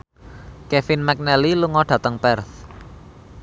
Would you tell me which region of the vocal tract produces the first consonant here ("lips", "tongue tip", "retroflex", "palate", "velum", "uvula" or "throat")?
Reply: velum